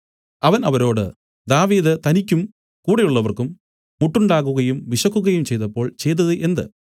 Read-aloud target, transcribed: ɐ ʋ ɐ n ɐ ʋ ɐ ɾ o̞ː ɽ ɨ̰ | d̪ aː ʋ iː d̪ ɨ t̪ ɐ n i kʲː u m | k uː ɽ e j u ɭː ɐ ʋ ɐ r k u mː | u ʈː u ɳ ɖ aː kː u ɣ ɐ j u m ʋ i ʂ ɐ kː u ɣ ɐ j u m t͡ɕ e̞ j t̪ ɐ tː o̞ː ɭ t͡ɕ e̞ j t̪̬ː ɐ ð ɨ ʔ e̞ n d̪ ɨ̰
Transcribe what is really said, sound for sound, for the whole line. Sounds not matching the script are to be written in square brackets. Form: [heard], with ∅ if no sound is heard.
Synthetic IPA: ɐ ʋ ɐ n ɐ ʋ ɐ ɾ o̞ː ɽ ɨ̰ | d̪ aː ʋ iː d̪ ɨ t̪ ɐ n i kʲː u m | k uː ɽ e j u ɭː ɐ ʋ ɐ r k u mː | u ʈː u ɳ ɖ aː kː u ɣ ɐ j u m ʋ i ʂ ɐ kː u ɣ ɐ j u m t͡ɕ e̞ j t̪ ɐ [pː] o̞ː ɭ t͡ɕ e̞ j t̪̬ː ɐ ð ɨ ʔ e̞ n d̪ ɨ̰